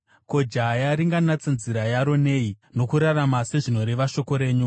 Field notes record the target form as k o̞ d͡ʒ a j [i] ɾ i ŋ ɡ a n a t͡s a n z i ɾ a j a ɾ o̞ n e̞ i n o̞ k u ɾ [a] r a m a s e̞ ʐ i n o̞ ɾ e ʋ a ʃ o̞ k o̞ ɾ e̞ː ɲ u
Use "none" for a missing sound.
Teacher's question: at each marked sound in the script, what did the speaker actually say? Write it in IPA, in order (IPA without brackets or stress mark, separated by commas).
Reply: a, a